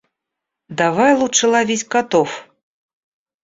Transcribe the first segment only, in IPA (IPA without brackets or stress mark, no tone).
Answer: d̪